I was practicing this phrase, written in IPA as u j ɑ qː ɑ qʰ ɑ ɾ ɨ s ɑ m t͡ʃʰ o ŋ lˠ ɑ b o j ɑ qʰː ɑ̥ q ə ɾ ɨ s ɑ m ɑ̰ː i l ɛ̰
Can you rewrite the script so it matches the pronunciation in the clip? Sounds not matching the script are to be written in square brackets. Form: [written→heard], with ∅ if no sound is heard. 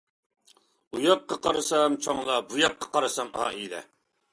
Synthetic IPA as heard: u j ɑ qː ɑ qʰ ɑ ɾ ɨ s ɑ m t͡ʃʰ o ŋ lˠ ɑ b [o→u] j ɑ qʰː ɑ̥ q [ə→ɑ] ɾ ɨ s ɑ m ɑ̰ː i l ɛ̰

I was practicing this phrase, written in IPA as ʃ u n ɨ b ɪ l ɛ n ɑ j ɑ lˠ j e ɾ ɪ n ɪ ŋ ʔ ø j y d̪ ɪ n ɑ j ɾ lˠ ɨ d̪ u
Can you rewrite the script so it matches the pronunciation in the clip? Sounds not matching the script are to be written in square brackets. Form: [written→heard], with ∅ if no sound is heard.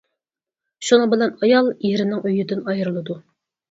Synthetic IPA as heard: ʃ u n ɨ b ɪ l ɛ n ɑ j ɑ lˠ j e ɾ ɪ n ɪ ŋ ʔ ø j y d̪ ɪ n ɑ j ɾ lˠ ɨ d̪ u

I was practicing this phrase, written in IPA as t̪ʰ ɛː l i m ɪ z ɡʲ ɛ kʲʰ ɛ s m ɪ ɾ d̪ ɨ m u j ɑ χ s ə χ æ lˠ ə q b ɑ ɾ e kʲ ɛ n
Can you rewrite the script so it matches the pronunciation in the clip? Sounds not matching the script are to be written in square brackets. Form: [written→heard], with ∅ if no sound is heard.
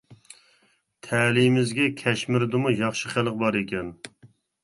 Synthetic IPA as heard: t̪ʰ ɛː l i m ɪ z ɡʲ ɛ kʲʰ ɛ [s→ʃ] m ɪ ɾ d̪ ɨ m u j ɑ χ [s→ʃ] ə χ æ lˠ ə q b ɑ ɾ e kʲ ɛ n

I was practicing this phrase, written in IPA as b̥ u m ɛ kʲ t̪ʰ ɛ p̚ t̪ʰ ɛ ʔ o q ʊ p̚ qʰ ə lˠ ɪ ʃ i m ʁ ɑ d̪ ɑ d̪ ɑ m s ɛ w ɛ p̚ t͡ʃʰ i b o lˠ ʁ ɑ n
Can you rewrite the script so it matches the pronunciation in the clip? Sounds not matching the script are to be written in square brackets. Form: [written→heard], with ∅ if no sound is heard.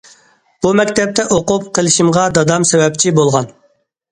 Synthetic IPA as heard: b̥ u m ɛ kʲ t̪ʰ ɛ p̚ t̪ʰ ɛ ʔ o q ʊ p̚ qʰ ə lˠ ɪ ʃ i m ʁ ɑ d̪ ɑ d̪ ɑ m s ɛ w ɛ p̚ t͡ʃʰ i b o lˠ ʁ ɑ n

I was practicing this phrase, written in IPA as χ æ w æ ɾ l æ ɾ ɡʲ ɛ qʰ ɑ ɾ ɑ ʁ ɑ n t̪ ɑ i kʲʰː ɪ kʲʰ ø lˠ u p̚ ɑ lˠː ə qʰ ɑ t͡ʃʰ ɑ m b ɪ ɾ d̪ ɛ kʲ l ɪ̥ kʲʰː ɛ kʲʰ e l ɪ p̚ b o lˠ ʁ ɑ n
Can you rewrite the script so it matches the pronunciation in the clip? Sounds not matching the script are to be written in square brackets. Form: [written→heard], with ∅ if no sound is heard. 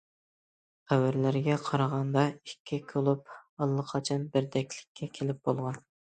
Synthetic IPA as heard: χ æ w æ ɾ l æ ɾ ɡʲ ɛ qʰ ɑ ɾ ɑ ʁ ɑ n [t̪→d̪] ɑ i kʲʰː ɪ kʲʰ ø lˠ u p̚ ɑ lˠː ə qʰ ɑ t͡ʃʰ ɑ [m→n] b ɪ ɾ d̪ ɛ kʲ l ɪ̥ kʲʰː ɛ kʲʰ e l ɪ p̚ b o lˠ ʁ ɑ n

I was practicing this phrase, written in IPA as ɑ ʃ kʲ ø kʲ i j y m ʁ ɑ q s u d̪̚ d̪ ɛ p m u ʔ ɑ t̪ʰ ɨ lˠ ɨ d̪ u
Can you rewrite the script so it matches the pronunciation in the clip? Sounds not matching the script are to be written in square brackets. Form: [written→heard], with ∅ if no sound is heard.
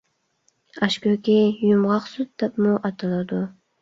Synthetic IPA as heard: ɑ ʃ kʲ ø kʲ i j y m ʁ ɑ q s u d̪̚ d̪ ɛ p m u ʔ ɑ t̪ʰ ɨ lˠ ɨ d̪ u

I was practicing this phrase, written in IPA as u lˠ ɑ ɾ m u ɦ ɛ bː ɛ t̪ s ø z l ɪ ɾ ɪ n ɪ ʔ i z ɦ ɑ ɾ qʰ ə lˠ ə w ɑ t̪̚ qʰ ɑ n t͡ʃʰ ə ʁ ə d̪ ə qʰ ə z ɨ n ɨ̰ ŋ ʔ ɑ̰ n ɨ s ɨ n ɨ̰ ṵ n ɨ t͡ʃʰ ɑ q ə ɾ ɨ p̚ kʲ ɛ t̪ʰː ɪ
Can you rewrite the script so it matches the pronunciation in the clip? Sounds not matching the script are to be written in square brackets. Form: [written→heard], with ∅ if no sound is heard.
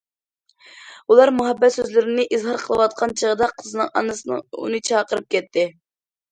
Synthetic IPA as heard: u lˠ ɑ ɾ m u ɦ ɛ bː ɛ t̪ s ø z l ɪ ɾ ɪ n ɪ ʔ i z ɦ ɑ ɾ qʰ ə lˠ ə w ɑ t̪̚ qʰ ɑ n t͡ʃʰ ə ʁ ə d̪ [ə→ɑ] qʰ ə z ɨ n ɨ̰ ŋ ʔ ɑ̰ n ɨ s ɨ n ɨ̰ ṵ n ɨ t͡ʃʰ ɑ q ə ɾ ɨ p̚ kʲ ɛ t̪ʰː ɪ

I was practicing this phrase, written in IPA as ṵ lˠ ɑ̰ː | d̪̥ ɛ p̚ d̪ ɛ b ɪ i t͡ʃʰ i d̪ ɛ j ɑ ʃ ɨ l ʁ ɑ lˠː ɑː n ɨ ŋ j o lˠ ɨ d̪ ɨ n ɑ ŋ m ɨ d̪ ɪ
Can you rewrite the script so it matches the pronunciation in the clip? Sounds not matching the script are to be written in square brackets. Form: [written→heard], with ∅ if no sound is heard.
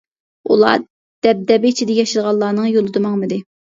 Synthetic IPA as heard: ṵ lˠ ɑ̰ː | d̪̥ ɛ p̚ d̪ ɛ b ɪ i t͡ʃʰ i d̪ ɛ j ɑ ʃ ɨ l ʁ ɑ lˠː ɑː n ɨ ŋ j o lˠ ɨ d̪ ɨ [n→m] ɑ ŋ m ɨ d̪ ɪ

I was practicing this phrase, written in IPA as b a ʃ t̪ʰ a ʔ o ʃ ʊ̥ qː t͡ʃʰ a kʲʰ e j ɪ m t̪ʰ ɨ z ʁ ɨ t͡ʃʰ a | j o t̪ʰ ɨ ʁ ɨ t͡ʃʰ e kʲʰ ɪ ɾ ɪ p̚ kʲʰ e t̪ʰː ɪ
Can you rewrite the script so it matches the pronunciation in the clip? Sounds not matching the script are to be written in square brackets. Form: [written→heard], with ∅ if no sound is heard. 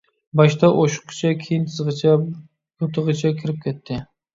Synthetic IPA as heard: b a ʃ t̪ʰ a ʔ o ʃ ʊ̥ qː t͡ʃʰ a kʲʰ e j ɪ [m→n] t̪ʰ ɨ z ʁ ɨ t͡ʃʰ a | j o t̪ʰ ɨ ʁ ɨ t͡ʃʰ [e→a] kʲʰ ɪ ɾ ɪ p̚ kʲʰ e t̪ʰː ɪ

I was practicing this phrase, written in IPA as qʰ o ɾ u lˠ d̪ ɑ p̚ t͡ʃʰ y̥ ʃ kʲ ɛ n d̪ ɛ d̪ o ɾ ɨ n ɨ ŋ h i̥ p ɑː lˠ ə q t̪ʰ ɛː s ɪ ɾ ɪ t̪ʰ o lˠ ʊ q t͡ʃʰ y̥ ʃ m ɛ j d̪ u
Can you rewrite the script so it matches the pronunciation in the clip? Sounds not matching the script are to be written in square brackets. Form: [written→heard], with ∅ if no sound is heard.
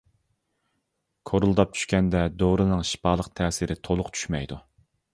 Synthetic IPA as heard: [qʰ→kʰ] o ɾ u lˠ d̪ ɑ p̚ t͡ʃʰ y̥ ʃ kʲ ɛ n d̪ ɛ d̪ o ɾ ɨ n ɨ ŋ [h→ʃ] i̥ p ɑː lˠ ə q t̪ʰ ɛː s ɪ ɾ ɪ t̪ʰ o lˠ ʊ q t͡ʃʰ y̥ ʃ m ɛ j d̪ u

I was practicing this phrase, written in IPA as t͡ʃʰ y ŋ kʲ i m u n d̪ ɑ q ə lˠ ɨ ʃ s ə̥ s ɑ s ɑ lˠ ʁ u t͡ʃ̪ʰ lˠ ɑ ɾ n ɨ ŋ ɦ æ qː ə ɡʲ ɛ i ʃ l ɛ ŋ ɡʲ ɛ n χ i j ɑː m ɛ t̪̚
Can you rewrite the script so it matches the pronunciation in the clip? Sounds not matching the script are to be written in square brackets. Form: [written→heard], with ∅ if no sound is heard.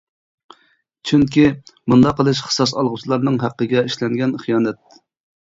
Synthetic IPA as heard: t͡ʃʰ y ŋ kʲ i m u n d̪ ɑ q ə lˠ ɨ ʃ [s→χ] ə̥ s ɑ s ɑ lˠ ʁ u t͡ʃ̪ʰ lˠ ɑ ɾ n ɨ ŋ ɦ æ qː ə ɡʲ ɛ i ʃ l ɛ ŋ ɡʲ ɛ n χ i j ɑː [m→n] ɛ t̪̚

